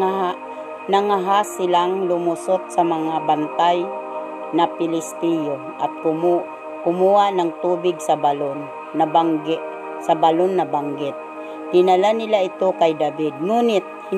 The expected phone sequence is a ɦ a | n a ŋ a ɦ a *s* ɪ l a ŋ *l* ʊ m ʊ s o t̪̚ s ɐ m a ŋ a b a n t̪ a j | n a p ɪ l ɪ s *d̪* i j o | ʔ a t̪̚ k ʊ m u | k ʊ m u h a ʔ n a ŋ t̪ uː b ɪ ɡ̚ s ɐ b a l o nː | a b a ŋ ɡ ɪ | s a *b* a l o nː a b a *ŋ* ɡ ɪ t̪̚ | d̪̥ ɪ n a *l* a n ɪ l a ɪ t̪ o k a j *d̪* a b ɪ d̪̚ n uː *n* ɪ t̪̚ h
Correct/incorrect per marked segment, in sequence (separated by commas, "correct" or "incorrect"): correct, correct, incorrect, correct, correct, correct, correct, correct